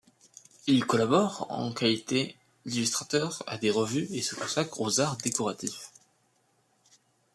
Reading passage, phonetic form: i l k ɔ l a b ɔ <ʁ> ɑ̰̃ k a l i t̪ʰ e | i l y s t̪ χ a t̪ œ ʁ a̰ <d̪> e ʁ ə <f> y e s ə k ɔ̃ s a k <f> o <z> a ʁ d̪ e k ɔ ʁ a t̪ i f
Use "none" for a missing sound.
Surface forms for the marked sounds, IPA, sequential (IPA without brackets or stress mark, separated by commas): ʁ, d̪, v, χ, z